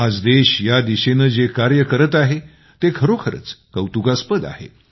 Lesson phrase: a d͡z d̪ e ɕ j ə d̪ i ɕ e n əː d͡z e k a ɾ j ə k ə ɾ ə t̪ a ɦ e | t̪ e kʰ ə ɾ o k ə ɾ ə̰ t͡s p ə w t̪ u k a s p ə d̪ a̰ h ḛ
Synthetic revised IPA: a d͡z d̪ e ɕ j a d̪ i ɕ e n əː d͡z e k a ɾ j ə k ə ɾ ə t̪ a ɦ e | t̪ e kʰ ə ɾ o kʰ ə ɾ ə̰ t͡s k ə w t̪ u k a s p ə d̪ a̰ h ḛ